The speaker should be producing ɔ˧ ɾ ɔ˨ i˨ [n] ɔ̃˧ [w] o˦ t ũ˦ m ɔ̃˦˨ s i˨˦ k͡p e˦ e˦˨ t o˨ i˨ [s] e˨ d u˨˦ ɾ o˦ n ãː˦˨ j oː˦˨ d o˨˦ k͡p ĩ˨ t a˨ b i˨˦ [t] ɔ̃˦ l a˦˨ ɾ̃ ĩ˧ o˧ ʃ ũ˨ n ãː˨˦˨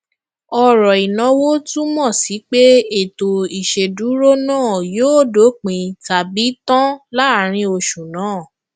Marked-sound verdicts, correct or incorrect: correct, correct, incorrect: ʃ, correct

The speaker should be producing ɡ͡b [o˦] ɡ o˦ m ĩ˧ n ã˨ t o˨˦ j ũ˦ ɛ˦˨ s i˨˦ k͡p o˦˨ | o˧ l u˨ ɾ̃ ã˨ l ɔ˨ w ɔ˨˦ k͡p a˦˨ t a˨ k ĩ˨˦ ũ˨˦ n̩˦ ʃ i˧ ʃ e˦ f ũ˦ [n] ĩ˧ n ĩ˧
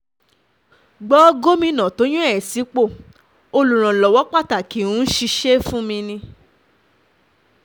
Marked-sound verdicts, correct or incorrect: incorrect: ɔ˦, incorrect: m

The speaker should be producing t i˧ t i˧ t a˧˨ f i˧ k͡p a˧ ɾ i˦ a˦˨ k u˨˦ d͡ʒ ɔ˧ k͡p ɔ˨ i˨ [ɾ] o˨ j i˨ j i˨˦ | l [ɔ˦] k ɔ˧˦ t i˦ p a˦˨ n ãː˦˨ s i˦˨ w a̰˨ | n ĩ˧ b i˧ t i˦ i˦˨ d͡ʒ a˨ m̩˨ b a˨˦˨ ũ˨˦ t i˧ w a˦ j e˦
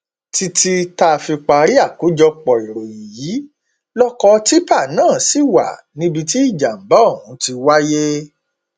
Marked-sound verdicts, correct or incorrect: correct, correct

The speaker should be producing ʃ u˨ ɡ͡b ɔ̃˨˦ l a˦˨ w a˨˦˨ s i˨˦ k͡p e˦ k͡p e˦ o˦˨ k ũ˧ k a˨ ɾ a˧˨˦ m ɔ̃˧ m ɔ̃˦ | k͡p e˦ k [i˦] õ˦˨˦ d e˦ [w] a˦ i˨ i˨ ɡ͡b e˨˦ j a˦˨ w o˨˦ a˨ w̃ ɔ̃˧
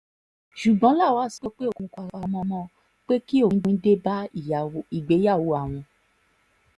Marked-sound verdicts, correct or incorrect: correct, incorrect: b

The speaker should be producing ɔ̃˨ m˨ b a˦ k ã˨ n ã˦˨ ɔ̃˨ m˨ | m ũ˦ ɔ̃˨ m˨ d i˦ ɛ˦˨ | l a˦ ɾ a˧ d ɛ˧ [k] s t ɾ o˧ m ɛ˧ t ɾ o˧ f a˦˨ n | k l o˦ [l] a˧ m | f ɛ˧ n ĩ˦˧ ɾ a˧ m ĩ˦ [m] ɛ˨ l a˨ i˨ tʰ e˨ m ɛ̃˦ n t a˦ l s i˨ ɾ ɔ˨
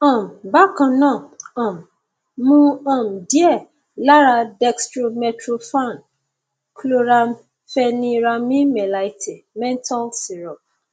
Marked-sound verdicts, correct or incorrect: correct, incorrect: ɾ, correct

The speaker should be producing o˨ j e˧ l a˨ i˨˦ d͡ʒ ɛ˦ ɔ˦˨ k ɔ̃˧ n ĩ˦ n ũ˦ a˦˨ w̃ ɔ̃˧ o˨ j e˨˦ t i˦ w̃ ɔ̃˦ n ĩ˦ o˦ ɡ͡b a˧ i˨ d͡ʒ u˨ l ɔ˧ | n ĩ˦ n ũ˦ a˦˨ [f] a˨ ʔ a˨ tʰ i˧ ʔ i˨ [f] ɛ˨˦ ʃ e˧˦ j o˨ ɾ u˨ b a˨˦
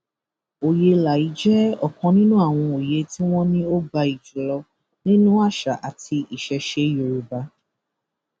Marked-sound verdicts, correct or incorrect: incorrect: ʃ, incorrect: ʃ

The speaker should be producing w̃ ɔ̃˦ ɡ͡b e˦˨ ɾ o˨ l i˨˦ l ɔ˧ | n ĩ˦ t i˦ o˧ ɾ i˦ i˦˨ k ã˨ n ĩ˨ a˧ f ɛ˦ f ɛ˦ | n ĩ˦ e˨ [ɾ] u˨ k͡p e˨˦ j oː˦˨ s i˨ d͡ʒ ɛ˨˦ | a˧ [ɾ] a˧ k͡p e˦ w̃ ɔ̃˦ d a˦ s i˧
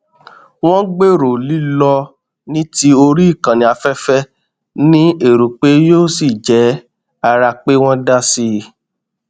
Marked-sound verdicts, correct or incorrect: correct, correct

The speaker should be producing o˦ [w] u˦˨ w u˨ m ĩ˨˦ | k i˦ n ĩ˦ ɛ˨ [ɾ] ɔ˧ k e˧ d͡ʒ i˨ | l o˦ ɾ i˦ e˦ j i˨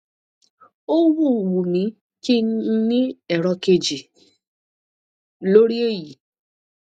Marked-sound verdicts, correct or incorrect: correct, correct

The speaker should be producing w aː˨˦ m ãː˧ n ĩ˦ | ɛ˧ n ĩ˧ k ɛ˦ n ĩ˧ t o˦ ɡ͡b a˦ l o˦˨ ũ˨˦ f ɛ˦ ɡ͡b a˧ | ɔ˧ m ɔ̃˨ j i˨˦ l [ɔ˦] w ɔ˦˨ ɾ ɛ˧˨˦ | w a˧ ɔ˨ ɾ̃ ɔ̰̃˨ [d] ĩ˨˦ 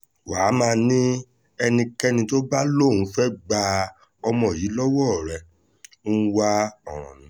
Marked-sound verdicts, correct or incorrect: correct, incorrect: n

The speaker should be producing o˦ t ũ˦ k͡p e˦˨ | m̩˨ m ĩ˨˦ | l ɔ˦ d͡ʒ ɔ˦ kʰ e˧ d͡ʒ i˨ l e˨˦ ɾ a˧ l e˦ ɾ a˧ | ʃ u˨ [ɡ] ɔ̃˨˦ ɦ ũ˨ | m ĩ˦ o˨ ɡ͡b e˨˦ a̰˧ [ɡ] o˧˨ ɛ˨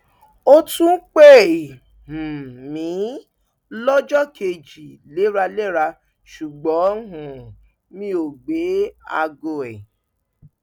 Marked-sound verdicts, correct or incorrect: incorrect: ɡ͡b, correct

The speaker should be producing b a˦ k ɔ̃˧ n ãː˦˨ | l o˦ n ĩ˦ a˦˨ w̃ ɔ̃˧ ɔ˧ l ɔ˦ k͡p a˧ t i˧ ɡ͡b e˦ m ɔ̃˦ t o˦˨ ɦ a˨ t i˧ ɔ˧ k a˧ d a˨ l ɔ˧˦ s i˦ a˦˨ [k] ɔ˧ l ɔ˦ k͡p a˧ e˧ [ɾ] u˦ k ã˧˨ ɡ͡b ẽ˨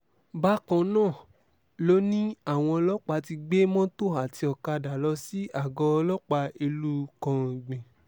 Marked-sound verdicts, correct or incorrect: incorrect: ɡ, incorrect: l

